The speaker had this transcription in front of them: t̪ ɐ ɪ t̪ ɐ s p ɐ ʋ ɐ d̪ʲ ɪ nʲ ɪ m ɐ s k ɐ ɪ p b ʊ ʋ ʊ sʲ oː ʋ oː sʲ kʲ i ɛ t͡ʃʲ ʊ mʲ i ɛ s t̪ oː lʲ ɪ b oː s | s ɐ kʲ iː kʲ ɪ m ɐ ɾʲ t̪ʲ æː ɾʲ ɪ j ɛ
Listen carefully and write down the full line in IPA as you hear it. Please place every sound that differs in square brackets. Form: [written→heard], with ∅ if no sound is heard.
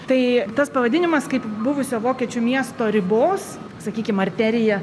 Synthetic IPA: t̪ ɐ ɪ t̪ ɐ s p ɐ ʋ ɐ d̪ʲ ɪ nʲ ɪ m ɐ s k ɐ ɪ p b ʊ ʋ ʊ sʲ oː ʋ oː [sʲ→∅] kʲ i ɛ t͡ʃʲ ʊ mʲ i ɛ s t̪ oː [lʲ→ɾʲ] ɪ b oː s | s ɐ kʲ iː kʲ ɪ m ɐ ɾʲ t̪ʲ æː ɾʲ ɪ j ɛ